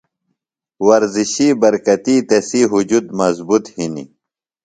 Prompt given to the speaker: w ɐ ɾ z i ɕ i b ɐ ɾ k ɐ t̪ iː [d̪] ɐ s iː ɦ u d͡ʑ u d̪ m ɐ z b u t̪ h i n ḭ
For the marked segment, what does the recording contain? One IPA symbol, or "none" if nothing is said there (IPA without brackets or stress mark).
t̪